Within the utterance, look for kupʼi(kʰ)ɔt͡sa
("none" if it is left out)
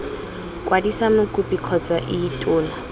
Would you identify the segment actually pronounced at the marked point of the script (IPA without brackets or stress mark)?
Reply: kʰ